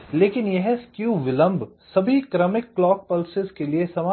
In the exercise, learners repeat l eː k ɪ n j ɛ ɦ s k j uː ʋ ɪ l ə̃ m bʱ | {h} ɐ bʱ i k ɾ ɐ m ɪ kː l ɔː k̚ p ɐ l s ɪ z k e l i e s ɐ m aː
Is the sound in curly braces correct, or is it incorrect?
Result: incorrect